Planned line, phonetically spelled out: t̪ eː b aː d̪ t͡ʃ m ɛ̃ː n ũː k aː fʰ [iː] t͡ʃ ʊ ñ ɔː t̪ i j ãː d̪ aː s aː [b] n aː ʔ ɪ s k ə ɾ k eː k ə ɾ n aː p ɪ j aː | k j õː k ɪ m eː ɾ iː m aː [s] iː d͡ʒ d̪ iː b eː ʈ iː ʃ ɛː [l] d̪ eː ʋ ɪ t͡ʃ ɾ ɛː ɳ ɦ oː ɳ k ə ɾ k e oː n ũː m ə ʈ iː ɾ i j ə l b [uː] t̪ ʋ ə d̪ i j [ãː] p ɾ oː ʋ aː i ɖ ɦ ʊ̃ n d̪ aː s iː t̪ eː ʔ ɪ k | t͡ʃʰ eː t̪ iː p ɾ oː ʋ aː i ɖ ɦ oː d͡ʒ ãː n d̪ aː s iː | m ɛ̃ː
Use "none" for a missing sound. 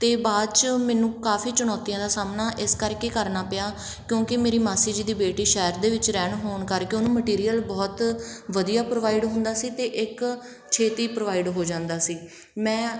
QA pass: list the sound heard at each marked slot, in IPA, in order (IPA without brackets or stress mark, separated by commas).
iː, m, s, ɾ, ɔː, aː